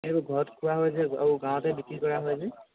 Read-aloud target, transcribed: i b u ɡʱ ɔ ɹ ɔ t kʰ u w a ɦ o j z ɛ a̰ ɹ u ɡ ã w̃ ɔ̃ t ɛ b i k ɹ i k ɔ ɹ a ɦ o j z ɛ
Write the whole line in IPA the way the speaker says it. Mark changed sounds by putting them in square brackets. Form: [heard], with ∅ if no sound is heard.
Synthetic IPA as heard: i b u ɡʱ ɔ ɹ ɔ t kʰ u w a ɦ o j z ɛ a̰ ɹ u ɡ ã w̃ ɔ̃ t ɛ b i k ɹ i k ɔ ɹ a ɦ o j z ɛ